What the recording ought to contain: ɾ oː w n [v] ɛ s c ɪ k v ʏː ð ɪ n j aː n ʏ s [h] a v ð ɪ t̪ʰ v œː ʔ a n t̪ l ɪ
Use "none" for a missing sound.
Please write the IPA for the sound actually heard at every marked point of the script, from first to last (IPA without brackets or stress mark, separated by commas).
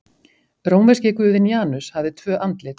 v, h